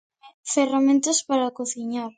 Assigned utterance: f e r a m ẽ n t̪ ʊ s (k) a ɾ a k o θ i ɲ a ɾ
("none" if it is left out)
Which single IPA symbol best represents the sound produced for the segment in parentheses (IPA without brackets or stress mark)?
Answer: p